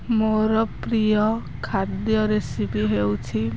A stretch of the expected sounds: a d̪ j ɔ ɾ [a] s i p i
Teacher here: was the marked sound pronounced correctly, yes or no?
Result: no